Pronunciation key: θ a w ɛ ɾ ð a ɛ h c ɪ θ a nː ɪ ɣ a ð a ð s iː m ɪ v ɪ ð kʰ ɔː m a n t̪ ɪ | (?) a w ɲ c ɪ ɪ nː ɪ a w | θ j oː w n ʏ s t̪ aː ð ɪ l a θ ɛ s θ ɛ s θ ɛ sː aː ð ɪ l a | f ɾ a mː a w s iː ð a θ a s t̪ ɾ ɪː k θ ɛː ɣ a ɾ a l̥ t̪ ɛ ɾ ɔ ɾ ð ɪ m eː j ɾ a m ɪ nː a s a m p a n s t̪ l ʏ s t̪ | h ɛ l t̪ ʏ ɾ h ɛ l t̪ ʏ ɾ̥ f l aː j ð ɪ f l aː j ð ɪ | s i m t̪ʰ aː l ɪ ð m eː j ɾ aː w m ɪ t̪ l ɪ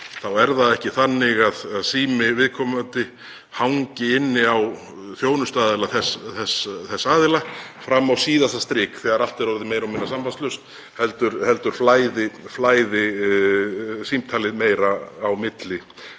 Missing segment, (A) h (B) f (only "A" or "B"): A